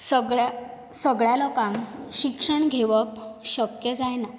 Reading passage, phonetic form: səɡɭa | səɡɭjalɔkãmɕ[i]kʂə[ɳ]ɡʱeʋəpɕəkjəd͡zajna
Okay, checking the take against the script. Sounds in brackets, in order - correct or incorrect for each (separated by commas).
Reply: correct, correct